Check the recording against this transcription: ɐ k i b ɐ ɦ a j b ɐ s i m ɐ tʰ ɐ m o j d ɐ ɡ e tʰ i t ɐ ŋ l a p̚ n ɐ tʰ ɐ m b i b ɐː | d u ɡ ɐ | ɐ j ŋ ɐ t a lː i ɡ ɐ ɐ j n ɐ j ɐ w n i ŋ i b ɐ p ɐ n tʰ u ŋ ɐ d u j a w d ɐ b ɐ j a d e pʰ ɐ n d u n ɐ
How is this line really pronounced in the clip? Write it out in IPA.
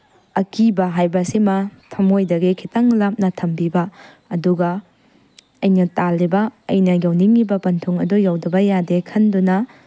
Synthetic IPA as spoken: ɐ k i b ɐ ɦ a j b ɐ s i m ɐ tʰ ɐ m o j d ɐ ɡ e kʰ i t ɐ ŋ l a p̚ n ɐ tʰ ɐ m b i b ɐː | d u ɡ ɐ | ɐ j n ɐ t a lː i b ɐ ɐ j n ɐ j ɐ w n i ŋ i b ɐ p ɐ n tʰ u ŋ ɐ d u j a w d ɐ b ɐ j a d e kʰ ɐ n d u n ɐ